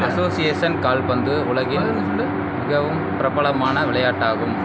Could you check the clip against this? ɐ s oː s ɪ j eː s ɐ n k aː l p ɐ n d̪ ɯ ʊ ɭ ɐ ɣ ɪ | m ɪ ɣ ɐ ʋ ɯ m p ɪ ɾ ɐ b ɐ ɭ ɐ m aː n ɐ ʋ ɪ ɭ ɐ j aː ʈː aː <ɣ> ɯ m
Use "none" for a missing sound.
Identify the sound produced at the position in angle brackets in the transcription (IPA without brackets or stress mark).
ɣ